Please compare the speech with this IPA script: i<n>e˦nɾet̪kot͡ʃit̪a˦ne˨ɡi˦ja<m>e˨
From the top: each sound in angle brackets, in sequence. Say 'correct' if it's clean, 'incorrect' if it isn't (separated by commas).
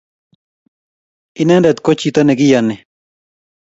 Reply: correct, incorrect